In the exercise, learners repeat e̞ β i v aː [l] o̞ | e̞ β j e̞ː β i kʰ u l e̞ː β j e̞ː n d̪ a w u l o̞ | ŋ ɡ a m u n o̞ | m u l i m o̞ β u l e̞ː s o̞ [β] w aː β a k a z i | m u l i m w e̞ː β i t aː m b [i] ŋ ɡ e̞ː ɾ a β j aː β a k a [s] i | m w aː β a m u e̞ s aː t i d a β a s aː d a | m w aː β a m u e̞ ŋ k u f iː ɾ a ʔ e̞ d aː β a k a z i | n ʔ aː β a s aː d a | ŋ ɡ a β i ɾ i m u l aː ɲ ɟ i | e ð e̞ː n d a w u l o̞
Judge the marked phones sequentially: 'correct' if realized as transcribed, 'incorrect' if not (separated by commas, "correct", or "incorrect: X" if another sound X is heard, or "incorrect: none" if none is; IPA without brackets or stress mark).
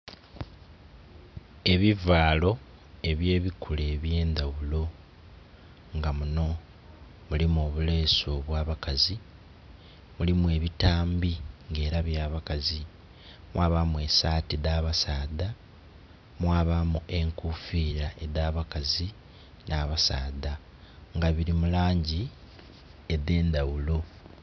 correct, correct, correct, incorrect: z